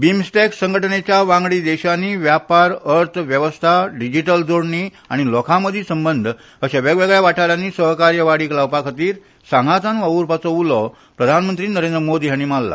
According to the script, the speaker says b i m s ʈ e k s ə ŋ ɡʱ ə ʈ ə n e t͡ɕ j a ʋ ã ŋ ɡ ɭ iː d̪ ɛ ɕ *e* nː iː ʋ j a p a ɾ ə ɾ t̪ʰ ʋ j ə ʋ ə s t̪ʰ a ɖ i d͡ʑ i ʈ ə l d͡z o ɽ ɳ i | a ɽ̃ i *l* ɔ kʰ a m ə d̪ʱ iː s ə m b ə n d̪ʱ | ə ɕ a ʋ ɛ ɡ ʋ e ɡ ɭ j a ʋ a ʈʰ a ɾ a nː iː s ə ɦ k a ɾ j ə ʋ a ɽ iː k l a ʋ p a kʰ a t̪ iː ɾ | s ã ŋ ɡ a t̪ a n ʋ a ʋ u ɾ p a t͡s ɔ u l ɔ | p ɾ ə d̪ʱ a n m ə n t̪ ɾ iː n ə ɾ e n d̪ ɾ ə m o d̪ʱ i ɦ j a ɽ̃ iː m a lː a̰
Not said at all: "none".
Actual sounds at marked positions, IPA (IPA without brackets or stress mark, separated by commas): a, l